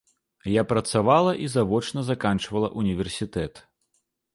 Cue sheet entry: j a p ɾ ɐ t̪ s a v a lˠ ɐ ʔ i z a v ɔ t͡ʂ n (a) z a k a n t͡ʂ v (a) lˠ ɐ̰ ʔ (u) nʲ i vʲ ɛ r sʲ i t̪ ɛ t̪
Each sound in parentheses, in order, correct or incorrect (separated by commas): incorrect, incorrect, correct